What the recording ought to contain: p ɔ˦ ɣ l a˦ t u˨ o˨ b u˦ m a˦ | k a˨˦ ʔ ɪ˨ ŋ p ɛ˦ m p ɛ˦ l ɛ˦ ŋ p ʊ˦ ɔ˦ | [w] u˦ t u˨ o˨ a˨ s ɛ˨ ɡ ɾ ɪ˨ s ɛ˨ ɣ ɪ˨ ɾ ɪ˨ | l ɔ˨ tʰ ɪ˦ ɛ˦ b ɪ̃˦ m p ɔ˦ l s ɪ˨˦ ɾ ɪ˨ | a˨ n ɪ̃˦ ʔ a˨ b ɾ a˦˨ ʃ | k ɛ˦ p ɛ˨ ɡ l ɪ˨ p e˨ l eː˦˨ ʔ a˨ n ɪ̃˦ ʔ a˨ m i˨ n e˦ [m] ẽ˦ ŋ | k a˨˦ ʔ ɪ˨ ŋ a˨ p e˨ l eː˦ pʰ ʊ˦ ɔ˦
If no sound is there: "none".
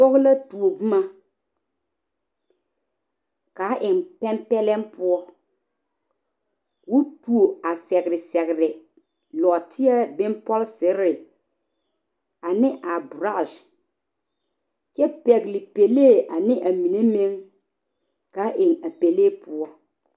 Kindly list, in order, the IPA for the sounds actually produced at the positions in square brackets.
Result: w, m

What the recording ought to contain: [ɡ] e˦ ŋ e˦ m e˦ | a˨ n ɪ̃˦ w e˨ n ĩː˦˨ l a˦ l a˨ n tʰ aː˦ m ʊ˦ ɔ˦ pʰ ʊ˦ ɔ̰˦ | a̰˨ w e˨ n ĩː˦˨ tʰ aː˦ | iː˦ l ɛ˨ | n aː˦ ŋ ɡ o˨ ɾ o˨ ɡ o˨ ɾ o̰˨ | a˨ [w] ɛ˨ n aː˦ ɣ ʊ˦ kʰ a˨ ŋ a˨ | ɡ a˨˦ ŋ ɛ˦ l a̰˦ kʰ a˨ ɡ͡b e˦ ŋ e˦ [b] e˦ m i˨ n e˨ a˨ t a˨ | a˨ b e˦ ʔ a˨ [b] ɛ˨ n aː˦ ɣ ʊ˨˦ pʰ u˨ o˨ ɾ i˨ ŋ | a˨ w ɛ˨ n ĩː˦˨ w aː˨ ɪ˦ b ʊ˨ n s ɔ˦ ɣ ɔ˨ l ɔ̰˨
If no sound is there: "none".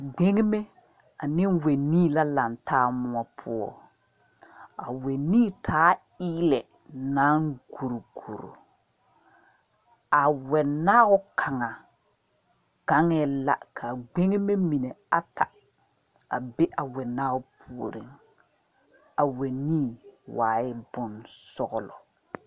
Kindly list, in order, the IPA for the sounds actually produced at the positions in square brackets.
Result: ɡ͡b, w, m, w

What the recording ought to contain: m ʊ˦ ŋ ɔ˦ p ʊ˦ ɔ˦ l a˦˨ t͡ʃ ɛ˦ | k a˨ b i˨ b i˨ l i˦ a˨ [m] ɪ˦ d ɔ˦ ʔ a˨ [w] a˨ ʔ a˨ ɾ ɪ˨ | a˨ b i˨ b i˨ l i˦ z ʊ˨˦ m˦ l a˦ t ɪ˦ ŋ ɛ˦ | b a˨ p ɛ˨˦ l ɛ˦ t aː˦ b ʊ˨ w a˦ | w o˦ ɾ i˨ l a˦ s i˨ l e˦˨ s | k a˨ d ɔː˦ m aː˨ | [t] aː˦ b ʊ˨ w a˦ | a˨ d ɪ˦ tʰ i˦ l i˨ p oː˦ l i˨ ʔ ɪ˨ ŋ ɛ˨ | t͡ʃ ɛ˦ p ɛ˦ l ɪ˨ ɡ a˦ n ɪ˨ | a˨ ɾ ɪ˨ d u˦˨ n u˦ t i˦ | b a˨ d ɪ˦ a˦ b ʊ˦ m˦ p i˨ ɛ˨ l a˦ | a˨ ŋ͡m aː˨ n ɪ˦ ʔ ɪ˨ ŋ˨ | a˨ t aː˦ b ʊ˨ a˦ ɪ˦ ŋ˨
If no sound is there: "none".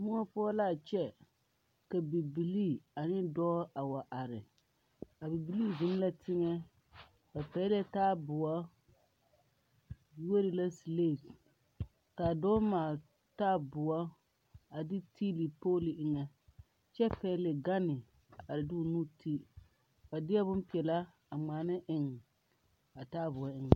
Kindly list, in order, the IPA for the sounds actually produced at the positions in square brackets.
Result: n, w, t

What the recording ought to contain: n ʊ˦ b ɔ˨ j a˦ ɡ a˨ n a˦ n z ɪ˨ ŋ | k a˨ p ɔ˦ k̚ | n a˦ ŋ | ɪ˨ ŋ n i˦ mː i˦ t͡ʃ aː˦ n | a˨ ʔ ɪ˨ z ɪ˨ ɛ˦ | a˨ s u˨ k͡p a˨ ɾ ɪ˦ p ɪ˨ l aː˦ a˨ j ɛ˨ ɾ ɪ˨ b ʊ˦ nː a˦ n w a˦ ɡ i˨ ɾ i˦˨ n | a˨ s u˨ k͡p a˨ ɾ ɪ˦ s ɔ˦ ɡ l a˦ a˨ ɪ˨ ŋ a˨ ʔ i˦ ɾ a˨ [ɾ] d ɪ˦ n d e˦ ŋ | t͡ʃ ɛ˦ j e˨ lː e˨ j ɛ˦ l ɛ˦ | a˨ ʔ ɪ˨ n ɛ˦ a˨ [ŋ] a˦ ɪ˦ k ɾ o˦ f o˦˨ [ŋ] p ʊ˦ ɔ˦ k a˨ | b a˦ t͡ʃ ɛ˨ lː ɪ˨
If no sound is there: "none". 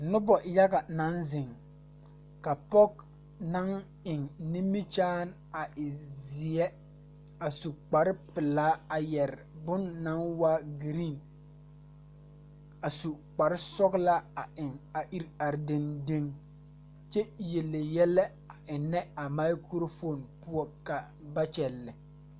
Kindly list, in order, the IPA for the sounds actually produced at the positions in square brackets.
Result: ɾ, m, n

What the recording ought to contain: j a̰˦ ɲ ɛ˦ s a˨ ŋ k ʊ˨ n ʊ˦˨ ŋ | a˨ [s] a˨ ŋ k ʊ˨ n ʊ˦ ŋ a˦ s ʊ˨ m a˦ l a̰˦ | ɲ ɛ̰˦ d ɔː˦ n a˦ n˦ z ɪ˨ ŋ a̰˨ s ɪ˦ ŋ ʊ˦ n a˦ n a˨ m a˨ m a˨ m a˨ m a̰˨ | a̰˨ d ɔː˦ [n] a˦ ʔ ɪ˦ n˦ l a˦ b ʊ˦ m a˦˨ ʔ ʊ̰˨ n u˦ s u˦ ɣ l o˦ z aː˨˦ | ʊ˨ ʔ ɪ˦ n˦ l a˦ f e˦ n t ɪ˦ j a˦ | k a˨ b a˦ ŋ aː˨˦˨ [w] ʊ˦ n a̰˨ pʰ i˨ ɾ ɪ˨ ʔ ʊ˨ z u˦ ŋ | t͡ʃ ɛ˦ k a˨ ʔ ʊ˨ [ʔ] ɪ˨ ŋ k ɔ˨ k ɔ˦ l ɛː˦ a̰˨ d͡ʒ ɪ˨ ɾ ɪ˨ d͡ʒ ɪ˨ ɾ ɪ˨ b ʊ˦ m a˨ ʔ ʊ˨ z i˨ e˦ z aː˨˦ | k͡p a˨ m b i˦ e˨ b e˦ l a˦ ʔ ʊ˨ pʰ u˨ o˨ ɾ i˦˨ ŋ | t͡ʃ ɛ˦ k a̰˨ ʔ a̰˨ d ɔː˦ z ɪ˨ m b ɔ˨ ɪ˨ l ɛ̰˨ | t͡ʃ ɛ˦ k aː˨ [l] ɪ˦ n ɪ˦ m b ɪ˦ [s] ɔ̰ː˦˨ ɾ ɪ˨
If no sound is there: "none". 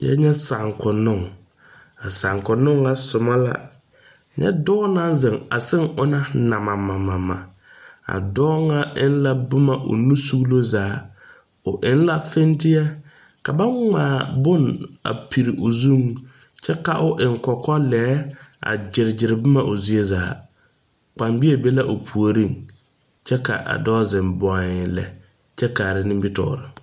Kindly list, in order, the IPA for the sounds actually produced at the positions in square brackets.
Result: s, ŋ, b, ʔ, ɾ, t

